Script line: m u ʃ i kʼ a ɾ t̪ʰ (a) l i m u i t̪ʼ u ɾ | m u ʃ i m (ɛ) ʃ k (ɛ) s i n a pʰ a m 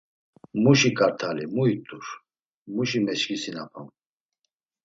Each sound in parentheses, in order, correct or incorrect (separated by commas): correct, correct, incorrect